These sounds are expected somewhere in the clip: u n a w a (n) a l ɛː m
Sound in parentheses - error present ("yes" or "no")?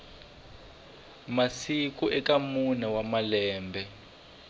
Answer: yes